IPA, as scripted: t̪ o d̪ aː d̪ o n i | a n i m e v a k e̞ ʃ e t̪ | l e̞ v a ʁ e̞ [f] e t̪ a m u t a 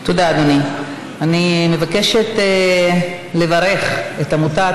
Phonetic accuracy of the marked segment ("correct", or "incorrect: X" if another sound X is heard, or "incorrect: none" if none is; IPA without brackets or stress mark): incorrect: χ